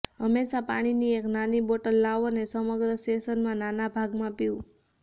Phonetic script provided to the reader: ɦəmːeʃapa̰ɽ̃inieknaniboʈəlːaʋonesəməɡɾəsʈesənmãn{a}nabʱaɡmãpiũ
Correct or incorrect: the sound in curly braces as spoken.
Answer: correct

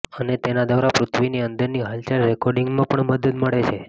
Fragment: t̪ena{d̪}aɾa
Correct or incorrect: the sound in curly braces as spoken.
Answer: correct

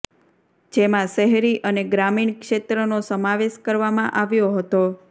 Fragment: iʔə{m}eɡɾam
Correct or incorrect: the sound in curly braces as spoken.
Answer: incorrect: n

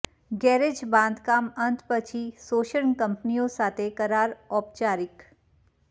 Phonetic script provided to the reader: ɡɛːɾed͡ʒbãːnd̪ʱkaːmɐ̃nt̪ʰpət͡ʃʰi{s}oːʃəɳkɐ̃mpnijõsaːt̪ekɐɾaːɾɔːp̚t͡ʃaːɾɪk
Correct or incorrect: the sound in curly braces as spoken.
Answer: correct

